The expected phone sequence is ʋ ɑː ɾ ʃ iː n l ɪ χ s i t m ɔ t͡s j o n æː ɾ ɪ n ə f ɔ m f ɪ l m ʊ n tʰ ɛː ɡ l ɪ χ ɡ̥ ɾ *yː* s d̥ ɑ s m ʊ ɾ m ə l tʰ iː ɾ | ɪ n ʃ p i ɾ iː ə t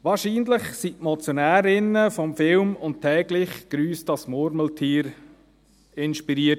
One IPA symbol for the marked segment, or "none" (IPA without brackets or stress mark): yː